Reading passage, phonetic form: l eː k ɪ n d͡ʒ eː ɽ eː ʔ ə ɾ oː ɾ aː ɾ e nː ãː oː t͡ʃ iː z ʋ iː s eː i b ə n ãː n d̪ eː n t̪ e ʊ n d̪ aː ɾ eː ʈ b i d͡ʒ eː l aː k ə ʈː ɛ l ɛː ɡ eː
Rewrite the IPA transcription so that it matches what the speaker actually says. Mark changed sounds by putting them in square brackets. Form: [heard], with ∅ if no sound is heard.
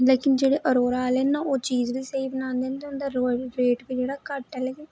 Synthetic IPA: l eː k ɪ n d͡ʒ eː ɽ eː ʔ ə ɾ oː ɾ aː [l] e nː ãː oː t͡ʃ iː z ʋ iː s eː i b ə n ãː n d̪ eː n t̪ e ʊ n d̪ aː ɾ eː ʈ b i d͡ʒ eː [ɽ] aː k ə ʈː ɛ l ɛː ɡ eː